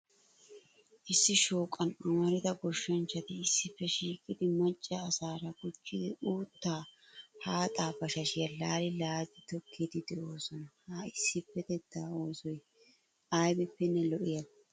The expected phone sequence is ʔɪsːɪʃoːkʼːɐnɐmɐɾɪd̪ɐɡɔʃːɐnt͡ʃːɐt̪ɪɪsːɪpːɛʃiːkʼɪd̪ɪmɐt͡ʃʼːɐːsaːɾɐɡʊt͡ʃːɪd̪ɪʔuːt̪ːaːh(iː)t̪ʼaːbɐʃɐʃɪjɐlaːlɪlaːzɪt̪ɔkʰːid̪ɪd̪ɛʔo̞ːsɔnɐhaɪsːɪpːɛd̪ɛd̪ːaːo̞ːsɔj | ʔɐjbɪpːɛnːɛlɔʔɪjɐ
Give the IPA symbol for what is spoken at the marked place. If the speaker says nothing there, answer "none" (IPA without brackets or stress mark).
aː